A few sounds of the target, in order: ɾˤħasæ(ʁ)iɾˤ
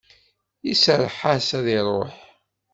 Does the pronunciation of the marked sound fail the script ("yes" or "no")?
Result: yes